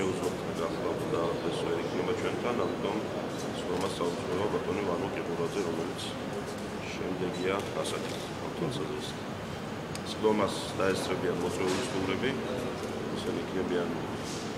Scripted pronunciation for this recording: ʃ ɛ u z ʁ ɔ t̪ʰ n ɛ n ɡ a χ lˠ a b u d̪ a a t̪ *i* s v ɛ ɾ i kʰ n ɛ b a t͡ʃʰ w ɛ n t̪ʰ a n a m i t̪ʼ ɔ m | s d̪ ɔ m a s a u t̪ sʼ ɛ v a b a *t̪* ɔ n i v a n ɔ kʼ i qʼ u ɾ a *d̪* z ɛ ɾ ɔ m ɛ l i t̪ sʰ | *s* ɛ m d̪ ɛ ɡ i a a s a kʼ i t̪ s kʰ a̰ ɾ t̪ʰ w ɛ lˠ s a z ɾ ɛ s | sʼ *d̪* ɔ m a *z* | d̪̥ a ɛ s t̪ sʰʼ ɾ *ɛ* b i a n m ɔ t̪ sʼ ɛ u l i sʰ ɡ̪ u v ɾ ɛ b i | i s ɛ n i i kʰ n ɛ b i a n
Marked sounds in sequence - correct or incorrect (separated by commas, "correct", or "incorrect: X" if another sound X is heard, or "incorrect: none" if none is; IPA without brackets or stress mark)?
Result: incorrect: ɛ, incorrect: t̪ʼ, correct, incorrect: ʃ, correct, incorrect: s, correct